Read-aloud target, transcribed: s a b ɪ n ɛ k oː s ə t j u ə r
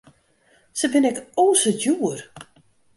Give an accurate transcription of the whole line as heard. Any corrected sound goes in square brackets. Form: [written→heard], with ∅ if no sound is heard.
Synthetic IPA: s [a→ə] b ɪ n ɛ k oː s ə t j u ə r